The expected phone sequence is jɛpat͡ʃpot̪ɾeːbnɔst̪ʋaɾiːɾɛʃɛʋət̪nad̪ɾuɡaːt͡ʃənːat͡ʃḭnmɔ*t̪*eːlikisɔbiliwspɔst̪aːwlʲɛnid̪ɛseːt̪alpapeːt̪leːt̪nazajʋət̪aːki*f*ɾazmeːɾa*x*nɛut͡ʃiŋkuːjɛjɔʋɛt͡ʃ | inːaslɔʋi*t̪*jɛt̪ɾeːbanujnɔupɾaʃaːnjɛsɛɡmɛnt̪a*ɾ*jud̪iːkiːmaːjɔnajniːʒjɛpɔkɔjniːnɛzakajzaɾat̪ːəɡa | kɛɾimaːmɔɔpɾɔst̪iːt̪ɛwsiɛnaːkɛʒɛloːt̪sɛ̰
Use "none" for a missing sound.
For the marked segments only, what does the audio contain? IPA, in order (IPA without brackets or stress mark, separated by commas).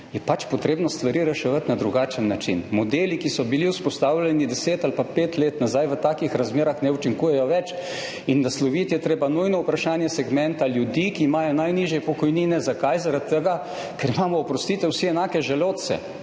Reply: d̪, x, x, t̪, l